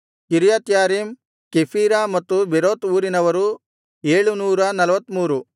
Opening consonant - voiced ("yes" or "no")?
no